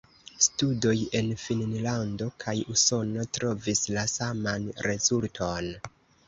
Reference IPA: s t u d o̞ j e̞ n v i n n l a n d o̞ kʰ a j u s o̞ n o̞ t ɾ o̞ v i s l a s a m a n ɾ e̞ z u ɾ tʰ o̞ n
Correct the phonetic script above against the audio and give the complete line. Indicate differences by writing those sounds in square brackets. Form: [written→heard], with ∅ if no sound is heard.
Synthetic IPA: s t u d o̞ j e̞ n [v→f] i n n l a n d o̞ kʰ a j u s o̞ n o̞ t ɾ o̞ v i s l a s a m a n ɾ e̞ z u [ɾ→l] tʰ o̞ n